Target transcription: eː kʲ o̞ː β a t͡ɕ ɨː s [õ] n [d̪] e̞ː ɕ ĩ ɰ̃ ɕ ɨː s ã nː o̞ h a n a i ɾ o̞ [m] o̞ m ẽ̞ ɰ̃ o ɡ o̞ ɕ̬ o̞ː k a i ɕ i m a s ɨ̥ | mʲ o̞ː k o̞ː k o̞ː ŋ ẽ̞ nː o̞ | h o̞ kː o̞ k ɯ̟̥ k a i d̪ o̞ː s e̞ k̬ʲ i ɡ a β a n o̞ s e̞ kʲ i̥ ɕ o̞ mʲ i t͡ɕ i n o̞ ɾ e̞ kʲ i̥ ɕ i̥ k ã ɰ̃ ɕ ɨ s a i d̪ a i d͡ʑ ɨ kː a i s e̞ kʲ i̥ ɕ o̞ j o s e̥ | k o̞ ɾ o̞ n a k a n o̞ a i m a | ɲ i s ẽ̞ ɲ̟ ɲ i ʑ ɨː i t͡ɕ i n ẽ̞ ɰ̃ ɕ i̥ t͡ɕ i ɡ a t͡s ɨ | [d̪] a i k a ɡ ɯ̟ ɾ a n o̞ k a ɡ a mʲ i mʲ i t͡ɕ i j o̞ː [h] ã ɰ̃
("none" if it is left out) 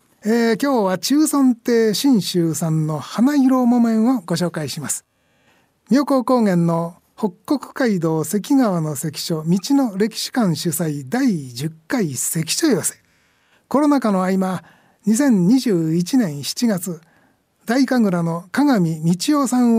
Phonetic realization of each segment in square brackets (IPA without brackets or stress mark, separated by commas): õ, t̪, m, d̪, s